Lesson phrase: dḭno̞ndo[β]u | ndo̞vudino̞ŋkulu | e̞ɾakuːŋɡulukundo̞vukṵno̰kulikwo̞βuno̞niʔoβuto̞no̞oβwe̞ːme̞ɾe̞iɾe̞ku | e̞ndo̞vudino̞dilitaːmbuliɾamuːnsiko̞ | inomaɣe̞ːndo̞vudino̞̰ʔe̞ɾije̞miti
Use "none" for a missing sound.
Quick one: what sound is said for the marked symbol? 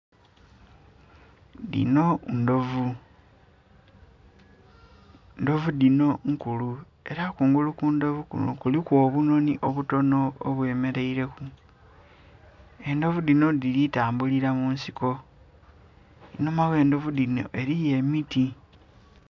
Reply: v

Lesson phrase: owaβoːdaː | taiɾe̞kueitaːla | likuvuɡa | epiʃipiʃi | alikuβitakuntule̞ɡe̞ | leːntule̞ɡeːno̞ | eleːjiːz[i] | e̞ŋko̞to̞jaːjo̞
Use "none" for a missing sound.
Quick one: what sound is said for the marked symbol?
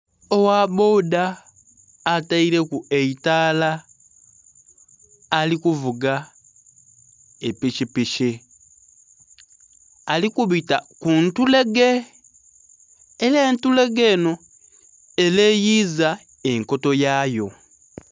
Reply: a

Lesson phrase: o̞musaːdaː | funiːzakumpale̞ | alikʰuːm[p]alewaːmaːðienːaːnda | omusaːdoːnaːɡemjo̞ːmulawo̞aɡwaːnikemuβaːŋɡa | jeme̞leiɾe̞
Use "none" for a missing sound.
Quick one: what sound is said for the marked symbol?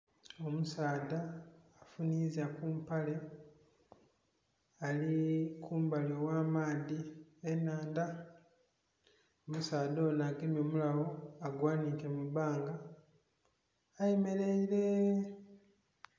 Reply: b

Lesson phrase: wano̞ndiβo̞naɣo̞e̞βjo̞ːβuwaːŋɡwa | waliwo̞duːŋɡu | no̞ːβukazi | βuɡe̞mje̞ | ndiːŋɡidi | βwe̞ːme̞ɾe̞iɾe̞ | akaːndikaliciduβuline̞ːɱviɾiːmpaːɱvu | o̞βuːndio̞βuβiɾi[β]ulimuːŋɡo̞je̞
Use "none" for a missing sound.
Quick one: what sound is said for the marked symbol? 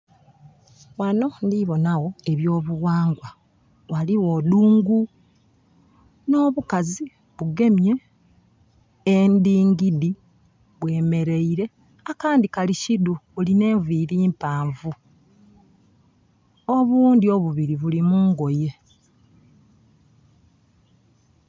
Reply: β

